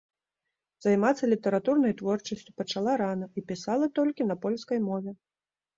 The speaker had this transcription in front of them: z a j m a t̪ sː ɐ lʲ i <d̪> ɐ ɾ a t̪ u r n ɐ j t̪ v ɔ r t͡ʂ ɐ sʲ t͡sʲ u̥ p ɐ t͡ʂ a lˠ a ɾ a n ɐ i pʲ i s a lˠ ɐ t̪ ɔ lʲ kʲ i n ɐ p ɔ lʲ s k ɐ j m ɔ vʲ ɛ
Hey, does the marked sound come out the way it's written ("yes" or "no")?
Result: no